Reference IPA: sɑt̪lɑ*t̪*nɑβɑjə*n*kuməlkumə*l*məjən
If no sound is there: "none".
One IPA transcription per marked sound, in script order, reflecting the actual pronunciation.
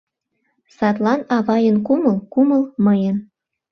none, n, l

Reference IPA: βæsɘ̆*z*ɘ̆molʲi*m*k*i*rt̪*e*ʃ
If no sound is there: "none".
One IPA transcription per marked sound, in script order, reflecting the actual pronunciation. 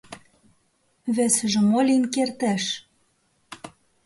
ʒ, n, e, æ

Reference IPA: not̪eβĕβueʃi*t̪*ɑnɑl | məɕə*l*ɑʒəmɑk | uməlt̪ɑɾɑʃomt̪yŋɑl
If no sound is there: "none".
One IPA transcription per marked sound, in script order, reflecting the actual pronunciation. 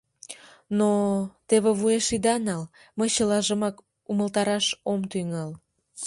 d̪, l

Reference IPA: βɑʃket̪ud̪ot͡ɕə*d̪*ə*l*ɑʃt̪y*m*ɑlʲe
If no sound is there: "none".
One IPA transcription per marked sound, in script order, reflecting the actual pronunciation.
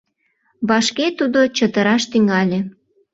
t̪, ɾ, ŋ

